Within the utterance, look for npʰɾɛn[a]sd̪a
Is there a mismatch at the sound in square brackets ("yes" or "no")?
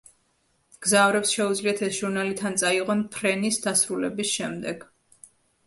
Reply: yes